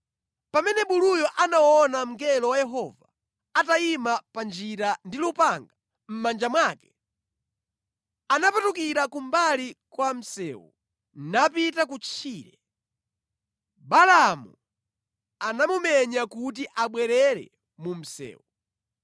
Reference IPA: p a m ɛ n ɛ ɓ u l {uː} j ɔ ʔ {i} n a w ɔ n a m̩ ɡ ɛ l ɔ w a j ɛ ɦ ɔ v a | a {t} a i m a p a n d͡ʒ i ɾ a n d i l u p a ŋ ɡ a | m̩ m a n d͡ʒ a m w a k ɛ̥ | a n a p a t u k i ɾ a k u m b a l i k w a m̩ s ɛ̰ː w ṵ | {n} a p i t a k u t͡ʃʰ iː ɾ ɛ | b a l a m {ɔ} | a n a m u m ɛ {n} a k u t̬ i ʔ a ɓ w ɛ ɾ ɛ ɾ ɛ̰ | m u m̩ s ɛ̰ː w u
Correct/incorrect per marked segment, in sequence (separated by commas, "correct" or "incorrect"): incorrect, incorrect, correct, correct, incorrect, incorrect